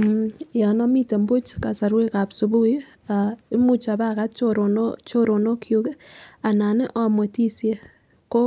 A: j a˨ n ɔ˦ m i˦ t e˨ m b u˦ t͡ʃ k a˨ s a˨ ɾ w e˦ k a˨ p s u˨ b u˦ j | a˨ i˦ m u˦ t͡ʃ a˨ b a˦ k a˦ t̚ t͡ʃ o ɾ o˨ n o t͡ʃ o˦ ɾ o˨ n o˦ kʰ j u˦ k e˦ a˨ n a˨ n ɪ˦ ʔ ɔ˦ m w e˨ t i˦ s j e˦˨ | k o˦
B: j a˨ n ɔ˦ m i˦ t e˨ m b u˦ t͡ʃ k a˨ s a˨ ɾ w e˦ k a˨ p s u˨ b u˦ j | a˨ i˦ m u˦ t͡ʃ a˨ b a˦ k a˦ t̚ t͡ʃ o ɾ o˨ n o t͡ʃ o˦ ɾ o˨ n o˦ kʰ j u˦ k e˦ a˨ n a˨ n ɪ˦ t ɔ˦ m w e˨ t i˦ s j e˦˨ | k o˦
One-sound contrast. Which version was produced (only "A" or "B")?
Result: A